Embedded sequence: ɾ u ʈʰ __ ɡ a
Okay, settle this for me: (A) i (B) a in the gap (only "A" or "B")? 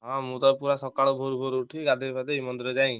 A